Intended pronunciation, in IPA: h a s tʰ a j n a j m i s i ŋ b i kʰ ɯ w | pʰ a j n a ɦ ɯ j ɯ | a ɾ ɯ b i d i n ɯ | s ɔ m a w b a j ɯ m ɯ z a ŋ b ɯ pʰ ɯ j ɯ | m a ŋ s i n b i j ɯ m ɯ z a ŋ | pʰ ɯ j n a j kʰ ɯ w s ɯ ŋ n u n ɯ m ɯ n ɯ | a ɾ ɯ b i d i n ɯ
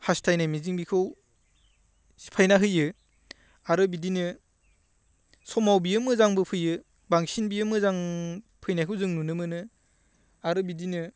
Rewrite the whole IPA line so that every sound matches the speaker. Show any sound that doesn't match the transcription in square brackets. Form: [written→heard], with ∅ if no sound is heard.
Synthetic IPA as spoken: h a s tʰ a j n a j m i [s→z] i ŋ b i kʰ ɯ w | pʰ a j n a ɦ ɯ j ɯ | a ɾ ɯ b i d i n ɯ | s ɔ m a w b [a→i] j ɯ m ɯ z a ŋ b ɯ pʰ ɯ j ɯ | [m→b] a ŋ s i n b i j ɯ m ɯ z a ŋ | pʰ ɯ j n a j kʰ ɯ w [s→z] ɯ ŋ n u n ɯ m ɯ n ɯ | a ɾ ɯ b i d i n ɯ